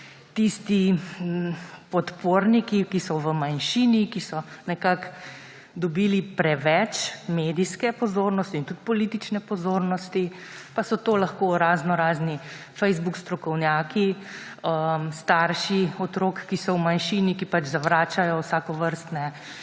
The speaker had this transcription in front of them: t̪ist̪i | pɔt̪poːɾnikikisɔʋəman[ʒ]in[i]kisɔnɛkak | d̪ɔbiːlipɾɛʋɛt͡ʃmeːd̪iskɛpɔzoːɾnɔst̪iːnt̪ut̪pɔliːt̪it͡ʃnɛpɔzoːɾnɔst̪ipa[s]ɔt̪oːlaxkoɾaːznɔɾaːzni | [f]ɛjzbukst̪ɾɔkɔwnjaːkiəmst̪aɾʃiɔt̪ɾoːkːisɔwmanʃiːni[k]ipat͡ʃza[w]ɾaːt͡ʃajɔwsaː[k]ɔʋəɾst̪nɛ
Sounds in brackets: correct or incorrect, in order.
incorrect: ʃ, correct, correct, correct, correct, incorrect: ʋ, correct

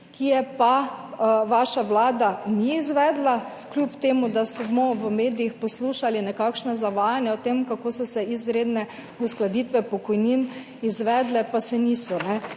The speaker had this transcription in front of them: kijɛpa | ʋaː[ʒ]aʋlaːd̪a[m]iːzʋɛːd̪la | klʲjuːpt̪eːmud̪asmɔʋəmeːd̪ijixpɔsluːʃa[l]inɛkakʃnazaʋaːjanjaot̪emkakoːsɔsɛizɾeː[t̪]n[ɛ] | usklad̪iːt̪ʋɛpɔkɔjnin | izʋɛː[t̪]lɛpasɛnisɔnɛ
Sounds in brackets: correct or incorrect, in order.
incorrect: ʃ, incorrect: n, correct, incorrect: d̪, correct, incorrect: d̪

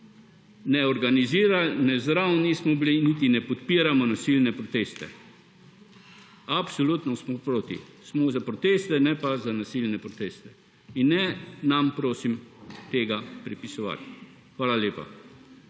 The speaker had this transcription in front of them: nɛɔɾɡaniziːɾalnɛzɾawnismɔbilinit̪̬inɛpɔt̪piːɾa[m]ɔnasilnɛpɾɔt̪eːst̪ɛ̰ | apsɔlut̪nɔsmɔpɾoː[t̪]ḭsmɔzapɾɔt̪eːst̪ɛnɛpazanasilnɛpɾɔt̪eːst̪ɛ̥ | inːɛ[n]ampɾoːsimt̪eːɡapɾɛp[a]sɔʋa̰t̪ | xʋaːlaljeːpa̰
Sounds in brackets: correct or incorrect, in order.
correct, correct, correct, incorrect: i

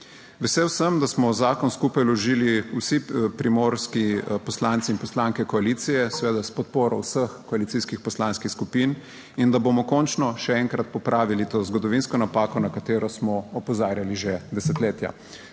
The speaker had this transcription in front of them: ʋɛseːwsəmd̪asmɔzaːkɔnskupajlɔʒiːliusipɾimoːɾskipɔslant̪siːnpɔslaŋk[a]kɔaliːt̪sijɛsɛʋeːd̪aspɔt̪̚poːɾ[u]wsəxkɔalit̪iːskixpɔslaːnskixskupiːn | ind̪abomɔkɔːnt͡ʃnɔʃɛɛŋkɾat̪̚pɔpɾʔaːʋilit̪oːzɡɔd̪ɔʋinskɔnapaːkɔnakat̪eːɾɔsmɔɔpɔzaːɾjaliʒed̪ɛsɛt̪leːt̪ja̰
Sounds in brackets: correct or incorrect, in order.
incorrect: ɛ, incorrect: ɔ

